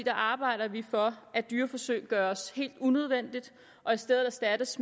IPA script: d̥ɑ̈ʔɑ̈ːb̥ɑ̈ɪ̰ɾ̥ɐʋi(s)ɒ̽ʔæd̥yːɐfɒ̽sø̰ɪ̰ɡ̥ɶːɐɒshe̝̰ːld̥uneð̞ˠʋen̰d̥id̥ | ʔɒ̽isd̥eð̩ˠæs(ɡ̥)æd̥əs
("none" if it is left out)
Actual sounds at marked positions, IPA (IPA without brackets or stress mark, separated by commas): f, d̥